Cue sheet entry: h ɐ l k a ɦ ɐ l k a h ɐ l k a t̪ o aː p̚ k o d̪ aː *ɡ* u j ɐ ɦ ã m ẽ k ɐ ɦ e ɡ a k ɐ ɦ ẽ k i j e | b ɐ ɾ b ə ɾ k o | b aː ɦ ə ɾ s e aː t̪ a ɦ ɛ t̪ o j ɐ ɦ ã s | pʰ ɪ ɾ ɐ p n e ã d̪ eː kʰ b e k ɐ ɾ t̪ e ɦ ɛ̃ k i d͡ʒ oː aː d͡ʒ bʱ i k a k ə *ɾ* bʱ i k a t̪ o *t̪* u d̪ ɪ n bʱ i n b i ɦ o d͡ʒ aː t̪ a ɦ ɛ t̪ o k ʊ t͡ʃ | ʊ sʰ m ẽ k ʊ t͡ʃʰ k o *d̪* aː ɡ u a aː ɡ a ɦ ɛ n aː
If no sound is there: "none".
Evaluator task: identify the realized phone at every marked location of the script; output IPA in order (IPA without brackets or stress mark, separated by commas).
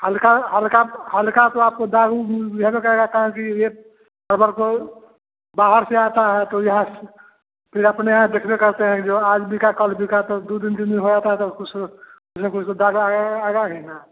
ɡ, l, d̪, d̪